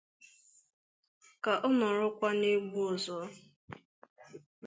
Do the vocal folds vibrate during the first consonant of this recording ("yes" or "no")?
no